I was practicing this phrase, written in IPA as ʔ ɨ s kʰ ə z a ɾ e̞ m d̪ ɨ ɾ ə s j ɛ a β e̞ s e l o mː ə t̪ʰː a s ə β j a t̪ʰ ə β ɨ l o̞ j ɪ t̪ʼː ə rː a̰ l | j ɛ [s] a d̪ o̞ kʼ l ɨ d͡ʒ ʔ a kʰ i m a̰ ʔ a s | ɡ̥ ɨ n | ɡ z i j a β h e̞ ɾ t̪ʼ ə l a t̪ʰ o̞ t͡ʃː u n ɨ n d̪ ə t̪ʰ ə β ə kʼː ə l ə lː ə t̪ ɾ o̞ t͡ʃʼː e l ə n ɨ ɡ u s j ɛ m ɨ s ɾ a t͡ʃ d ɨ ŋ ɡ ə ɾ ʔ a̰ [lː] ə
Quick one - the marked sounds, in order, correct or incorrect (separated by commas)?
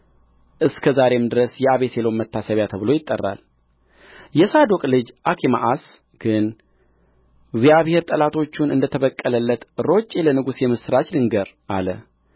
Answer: correct, incorrect